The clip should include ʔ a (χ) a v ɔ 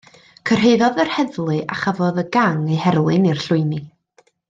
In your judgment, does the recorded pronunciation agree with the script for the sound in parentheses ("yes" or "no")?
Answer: yes